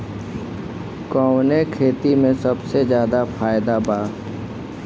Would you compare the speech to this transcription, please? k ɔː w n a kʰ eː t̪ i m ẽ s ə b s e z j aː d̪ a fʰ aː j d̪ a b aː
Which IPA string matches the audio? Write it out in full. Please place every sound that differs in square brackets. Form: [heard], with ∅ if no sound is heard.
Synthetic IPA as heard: k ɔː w n [e] kʰ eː t̪ i m ẽ s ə b s e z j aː d̪ a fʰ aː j d̪ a b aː